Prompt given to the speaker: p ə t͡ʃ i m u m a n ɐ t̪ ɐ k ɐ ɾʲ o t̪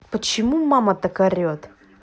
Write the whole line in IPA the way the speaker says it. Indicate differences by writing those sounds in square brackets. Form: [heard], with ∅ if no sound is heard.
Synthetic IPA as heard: p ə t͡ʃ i m u m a [m] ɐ t̪ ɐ k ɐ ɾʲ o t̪